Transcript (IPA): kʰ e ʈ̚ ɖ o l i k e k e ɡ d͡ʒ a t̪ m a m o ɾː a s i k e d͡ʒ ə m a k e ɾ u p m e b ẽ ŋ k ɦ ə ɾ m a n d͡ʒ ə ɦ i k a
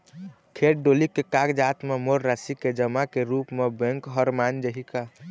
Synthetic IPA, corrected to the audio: kʰ e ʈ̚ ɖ o l i k e k a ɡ d͡ʒ a t̪ m e m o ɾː a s i k e d͡ʒ ə m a k e ɾ u p m e b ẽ ŋ k ɦ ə ɾ m a n d͡ʒ ə ɦ i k a